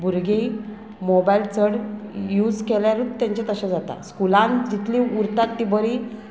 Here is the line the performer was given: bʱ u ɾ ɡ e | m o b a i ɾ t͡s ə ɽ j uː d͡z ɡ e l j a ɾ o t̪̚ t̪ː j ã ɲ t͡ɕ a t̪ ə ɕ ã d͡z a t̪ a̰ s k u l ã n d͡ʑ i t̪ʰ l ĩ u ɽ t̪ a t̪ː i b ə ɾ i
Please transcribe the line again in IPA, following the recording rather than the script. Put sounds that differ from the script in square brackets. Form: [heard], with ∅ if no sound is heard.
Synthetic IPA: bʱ u ɾ ɡ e | m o b a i [l] t͡s ə ɽ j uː d͡z [k] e l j a ɾ [u] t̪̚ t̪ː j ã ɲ t͡ɕ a t̪ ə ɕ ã d͡z a t̪ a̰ s k u l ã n d͡ʑ i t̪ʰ l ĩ u [ɾ] t̪ a t̪ː i b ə ɾ i